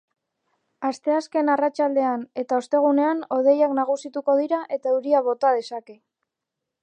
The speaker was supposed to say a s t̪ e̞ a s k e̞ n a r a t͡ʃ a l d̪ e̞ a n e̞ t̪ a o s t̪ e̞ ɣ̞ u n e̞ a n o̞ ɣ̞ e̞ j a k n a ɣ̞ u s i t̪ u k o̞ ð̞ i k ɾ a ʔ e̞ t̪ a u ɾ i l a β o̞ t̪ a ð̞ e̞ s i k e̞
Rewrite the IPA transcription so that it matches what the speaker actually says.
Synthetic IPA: a s t̪ e̞ a s k e̞ n a r a t͡ʃ a l d̪ e̞ a n e̞ t̪ a o s t̪ e̞ ɣ̞ u n e̞ a n o̞ ð̞ e̞ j a k n a ɣ̞ u s i t̪ u k o̞ ð̞ i ɾ a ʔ e̞ t̪ a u ɾ i a β o̞ t̪ a ð̞ e̞ s a k e̞